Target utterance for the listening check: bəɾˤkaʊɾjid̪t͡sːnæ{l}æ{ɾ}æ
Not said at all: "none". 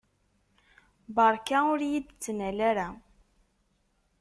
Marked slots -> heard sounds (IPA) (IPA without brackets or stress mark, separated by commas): l, ɾ